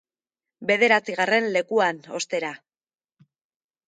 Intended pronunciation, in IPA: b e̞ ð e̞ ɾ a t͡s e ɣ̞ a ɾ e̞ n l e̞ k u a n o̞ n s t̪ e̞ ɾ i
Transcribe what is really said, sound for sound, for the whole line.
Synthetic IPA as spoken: b e̞ ð e̞ ɾ a t͡s i ɣ̞ a r e̞ n l e̞ k u a n o̞ s t̪ e̞ ɾ a